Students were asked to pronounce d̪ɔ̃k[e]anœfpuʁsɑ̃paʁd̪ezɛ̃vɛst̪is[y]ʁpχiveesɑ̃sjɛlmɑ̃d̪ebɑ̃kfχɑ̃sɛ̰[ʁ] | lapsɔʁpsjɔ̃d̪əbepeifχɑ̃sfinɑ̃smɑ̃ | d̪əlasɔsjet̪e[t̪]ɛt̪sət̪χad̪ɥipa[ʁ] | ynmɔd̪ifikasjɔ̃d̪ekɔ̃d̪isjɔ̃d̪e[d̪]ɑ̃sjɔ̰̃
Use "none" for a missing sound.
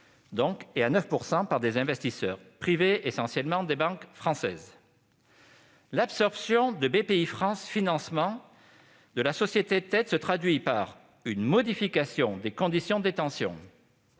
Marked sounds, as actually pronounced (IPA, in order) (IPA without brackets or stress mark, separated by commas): e, œ, z, t̪, ʁ, t̪